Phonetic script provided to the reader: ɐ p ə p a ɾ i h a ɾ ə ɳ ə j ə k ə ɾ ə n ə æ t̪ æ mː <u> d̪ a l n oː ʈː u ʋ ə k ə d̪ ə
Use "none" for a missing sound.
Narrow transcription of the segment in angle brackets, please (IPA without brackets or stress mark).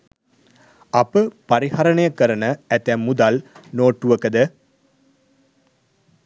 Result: u